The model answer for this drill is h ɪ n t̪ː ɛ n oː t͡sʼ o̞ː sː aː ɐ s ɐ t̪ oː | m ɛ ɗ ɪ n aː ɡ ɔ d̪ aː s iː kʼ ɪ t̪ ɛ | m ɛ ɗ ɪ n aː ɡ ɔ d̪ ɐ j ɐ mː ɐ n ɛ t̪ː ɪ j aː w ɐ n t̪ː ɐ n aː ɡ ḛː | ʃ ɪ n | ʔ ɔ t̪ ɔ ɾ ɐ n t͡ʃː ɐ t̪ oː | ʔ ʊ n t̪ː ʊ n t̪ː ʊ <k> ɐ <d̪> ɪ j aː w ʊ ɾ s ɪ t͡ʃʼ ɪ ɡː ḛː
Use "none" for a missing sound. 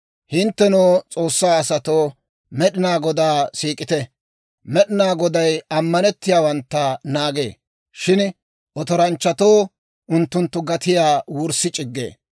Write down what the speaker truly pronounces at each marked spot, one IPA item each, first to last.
ɡ, t̪

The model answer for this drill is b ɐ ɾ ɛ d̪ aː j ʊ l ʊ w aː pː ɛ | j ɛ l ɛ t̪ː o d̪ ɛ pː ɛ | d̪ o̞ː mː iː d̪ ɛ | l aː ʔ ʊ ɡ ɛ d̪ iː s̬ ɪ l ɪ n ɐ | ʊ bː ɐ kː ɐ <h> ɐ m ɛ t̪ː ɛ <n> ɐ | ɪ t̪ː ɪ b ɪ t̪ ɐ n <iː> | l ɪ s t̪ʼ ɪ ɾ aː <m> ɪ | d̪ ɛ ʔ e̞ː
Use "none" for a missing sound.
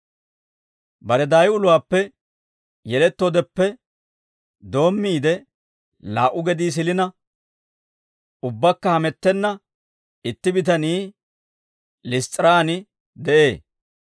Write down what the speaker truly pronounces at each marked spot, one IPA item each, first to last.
h, nː, iː, n

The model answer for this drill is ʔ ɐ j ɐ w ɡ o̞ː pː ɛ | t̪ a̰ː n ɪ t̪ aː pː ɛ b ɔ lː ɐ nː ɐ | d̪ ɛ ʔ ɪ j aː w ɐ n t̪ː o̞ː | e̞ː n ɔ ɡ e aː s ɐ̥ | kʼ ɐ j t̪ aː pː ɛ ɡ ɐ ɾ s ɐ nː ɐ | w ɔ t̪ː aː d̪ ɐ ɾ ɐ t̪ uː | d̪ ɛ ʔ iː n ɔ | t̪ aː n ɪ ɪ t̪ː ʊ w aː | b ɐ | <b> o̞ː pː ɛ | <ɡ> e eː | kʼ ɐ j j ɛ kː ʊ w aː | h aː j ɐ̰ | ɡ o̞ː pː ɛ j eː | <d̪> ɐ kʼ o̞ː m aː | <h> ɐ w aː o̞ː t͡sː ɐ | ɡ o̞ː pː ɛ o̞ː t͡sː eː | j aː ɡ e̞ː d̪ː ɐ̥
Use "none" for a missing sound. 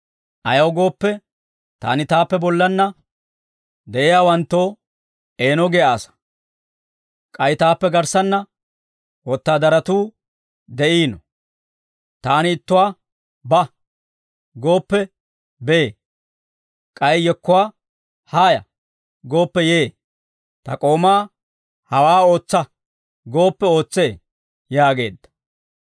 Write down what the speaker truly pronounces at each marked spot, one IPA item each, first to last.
ɡ, b, t̪, h

